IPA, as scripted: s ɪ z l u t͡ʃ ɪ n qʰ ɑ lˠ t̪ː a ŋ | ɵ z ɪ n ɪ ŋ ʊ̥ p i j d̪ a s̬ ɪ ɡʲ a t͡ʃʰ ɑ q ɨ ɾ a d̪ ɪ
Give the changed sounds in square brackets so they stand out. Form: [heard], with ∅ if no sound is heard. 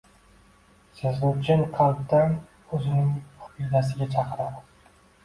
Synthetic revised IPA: s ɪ z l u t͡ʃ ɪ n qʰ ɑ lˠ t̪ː a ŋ | ɵ z ɪ n ɪ ŋ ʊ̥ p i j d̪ a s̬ ɪ ɡʲ a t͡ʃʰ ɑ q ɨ ɾ a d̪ ɪ